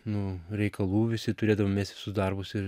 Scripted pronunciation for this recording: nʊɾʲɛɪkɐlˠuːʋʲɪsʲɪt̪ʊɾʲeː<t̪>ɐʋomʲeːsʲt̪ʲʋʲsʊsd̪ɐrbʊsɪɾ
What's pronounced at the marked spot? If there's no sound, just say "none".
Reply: d̪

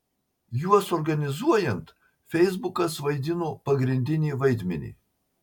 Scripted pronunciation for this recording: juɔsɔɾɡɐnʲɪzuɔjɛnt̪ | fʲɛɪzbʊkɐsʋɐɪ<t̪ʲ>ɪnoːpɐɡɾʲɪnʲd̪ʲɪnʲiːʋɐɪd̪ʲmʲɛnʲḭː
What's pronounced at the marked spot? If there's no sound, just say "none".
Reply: d̪ʲ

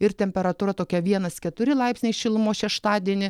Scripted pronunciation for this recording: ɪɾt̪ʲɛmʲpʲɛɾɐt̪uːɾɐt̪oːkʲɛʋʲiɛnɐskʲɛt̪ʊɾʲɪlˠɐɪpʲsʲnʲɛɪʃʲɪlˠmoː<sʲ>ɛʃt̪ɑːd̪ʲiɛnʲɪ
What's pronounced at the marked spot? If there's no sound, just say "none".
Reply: ʃʲ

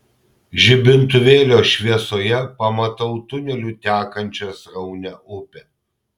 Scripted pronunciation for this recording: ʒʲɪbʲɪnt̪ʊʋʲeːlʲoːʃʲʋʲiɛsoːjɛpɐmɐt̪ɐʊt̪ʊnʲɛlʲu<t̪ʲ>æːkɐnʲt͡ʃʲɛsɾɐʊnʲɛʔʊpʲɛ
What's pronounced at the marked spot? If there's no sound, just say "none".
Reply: t̪ʲ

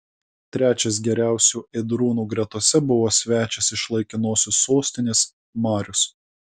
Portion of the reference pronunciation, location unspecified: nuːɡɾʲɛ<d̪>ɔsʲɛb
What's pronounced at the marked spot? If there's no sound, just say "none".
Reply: t̪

